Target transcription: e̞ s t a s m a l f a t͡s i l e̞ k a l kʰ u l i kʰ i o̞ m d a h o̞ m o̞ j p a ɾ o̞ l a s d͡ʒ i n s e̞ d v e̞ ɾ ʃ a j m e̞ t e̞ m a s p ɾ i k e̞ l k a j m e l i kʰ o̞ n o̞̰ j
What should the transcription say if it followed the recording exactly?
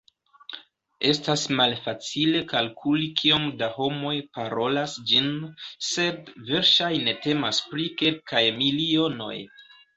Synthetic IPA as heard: e̞ s t a s m a l f a t͡s i l e̞ k a l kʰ u l i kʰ i o̞ m d a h o̞ m o̞ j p a ɾ o̞ l a s d͡ʒ i n s e̞ d v e̞ ɾ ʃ a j n e̞ t e̞ m a s p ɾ i k e̞ l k a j m i l i o̞ n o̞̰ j

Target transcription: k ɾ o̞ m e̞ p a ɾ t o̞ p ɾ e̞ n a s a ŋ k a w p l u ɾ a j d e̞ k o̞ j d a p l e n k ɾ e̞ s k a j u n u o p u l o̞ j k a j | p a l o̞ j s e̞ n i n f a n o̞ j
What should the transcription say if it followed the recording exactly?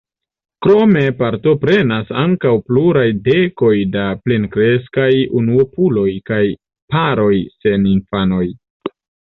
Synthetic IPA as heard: k ɾ o̞ m e̞ p a ɾ t o̞ p ɾ e̞ n a s a ŋ k a w p l u ɾ a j d e̞ k o̞ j d a p l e n k ɾ e̞ s k a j u n u o p u l o̞ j k a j | p a ɾ o̞ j s e̞ n i n f a n o̞ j

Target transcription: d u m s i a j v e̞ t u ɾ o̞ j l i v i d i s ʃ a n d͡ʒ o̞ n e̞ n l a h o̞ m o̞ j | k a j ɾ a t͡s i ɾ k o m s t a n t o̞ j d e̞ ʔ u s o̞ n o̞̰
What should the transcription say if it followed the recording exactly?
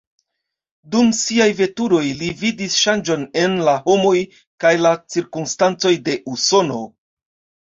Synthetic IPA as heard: d u m s i a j v e̞ t u ɾ o̞ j l i v i d i s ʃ a n d͡ʒ o̞ n e̞ n l a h o̞ m o̞ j | k a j l a t͡s i ɾ k u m s t a n t͡s o̞ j d e̞ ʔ u s o̞ n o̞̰

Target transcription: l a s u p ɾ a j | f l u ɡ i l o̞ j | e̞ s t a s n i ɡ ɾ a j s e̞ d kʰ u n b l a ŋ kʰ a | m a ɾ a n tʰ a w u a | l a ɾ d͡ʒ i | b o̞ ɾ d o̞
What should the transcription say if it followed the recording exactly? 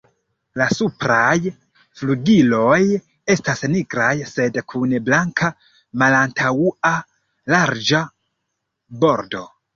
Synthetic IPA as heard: l a s u p ɾ a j | f l u ɡ i l o̞ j | e̞ s t a s n i ɡ ɾ a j s e̞ d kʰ u n b l a ŋ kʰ a | m a l a n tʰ a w u a | l a ɾ d͡ʒ a | b o̞ ɾ d o̞

